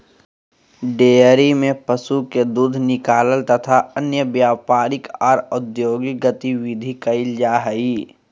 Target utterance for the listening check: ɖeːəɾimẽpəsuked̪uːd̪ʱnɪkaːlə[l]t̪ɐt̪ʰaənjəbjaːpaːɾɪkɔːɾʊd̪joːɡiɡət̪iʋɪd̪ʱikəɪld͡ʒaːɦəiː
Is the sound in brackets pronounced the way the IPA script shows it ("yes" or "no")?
yes